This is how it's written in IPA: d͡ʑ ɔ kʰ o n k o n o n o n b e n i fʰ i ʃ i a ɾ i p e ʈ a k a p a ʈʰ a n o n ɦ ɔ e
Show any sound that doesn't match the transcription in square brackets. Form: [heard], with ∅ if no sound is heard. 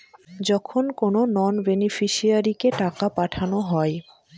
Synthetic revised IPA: d͡ʑ ɔ kʰ o n k o n o n [ɔ] n b e n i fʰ i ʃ i a ɾ i [k] e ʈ a k a p a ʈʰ a n o [∅] ɦ ɔ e